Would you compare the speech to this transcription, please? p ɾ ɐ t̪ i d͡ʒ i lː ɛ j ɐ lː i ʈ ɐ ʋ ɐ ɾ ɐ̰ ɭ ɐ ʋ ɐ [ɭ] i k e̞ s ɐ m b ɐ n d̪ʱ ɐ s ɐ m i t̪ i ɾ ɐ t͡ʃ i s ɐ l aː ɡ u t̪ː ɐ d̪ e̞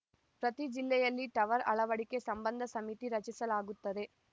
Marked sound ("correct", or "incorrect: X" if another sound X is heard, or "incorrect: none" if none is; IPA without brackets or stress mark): incorrect: ɽ